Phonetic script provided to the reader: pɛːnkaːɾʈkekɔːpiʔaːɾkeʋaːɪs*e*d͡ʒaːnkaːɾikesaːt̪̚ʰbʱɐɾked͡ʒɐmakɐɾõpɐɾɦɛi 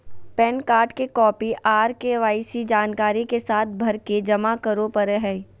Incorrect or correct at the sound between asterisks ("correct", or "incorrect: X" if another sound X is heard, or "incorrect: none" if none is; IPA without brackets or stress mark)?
incorrect: i